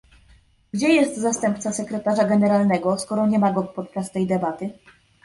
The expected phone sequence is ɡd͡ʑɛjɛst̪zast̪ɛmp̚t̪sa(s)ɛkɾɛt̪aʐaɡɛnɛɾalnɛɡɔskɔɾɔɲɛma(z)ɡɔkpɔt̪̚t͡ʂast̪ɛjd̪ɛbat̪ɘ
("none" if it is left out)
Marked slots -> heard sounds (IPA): s, none

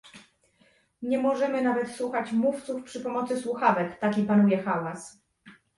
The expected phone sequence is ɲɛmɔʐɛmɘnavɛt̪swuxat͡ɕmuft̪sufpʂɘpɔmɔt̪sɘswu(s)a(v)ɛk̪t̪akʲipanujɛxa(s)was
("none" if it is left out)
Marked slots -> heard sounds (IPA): x, v, none

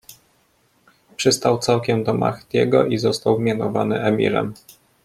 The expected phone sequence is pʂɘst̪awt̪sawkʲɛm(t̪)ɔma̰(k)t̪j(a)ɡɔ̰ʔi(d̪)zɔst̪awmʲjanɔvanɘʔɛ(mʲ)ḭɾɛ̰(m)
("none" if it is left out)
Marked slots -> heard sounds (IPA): d̪, x, ɛ, none, mʲ, m

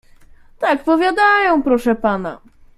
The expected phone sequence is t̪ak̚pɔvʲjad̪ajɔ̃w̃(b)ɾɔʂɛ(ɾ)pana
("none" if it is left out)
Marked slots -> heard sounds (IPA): p, none

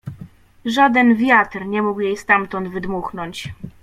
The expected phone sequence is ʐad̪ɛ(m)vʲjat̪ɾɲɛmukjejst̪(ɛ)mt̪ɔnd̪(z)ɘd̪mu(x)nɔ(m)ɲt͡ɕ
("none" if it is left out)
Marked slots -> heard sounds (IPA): n, a, v, x, none

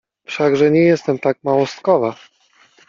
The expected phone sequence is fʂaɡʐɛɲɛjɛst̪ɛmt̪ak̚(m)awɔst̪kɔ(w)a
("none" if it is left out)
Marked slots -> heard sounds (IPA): m, v

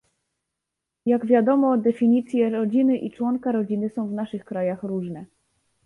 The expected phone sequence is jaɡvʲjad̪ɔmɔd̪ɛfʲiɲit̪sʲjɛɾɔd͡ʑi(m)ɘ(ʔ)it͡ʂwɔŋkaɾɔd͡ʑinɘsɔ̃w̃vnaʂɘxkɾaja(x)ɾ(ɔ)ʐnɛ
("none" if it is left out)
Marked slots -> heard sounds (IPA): n, ʔ, x, u

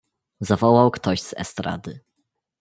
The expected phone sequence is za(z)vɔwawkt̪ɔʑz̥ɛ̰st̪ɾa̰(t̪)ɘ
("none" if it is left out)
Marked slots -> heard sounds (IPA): none, d̪

